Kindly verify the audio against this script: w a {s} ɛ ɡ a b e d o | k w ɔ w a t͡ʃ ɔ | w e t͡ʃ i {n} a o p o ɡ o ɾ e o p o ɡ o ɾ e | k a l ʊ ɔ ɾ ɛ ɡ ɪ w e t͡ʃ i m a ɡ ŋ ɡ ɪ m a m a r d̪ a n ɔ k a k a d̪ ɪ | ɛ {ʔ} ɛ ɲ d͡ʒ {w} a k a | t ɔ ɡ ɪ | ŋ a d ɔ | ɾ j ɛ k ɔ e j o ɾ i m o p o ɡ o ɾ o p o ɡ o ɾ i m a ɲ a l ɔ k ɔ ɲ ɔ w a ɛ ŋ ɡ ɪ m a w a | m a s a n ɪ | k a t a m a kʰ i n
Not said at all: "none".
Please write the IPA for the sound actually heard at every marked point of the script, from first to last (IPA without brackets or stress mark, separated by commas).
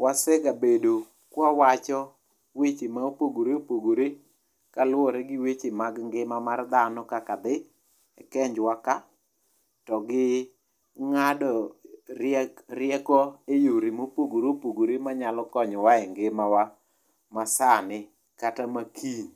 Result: s, m, k, w